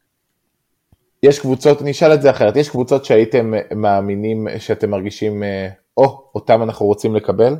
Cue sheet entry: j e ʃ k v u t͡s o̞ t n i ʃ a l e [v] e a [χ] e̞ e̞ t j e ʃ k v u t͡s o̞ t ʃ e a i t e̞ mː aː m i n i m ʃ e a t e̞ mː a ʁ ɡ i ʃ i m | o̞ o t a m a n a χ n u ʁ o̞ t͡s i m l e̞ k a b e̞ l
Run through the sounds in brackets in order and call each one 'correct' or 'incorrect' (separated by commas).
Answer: incorrect, correct